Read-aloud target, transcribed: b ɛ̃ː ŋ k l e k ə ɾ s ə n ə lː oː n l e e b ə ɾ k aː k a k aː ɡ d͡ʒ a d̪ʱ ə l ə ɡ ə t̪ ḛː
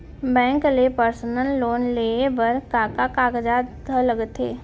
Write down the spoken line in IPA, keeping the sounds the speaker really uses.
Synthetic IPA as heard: b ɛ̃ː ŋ k l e p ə ɾ s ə n ə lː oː n l e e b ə ɾ k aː k a k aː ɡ d͡ʒ a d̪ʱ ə l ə ɡ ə t̪ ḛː